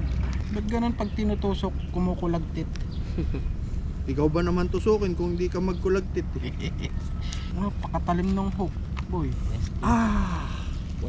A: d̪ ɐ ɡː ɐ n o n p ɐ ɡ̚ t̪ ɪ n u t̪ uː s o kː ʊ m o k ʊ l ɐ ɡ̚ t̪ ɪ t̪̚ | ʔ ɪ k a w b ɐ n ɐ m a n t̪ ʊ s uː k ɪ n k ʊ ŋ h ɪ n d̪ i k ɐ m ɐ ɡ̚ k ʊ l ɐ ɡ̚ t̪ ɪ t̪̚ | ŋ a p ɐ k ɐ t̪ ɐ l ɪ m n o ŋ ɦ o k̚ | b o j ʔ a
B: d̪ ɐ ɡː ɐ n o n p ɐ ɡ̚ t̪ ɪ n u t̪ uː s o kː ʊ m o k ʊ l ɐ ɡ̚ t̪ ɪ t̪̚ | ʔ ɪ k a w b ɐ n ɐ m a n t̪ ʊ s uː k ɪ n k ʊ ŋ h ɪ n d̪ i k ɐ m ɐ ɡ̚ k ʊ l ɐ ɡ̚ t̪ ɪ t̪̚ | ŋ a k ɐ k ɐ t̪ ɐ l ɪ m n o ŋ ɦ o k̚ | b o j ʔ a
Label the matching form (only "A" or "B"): A